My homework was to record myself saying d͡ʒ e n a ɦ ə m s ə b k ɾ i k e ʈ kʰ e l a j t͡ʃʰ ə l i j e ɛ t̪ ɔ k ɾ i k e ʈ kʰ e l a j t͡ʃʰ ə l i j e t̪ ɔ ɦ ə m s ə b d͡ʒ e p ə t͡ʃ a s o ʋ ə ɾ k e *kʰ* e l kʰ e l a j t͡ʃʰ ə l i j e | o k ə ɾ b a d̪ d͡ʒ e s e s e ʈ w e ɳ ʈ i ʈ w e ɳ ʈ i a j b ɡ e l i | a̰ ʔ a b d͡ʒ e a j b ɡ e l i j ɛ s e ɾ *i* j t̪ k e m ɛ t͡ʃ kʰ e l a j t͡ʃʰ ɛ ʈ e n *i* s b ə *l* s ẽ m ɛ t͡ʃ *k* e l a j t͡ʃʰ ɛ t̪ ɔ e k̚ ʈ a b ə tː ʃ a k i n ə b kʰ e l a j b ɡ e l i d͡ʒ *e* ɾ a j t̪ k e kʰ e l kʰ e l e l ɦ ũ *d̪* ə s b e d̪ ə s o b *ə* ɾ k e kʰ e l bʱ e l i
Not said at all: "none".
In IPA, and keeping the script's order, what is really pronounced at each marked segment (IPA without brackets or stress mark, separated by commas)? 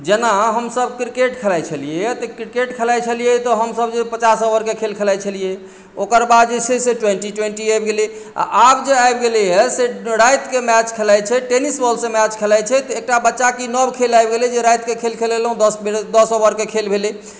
kʰ, a, i, l, kʰ, e, d̪, ə